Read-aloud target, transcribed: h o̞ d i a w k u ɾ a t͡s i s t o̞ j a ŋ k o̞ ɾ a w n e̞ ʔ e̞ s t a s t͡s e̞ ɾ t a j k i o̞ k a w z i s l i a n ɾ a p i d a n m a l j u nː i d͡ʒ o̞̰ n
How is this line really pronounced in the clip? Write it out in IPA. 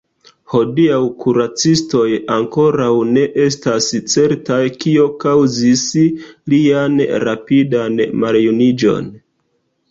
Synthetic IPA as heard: h o̞ d i a w k u ɾ a t͡s i s t o̞ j a ŋ k o̞ ɾ a w n e̞ ʔ e̞ s t a s t͡s e̞ ɾ t a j k i o̞ k a w z i s l i a n ɾ a p i d a n m a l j u n i d͡ʒ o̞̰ n